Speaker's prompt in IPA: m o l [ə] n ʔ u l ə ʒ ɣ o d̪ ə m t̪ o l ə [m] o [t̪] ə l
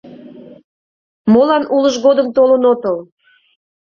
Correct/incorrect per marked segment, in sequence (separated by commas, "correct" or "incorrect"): incorrect, incorrect, correct